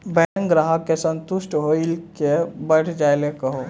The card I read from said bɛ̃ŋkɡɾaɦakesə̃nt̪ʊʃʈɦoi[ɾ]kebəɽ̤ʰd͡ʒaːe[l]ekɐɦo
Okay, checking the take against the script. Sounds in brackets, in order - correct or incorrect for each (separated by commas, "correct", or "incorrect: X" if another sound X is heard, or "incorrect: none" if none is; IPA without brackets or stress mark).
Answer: incorrect: l, correct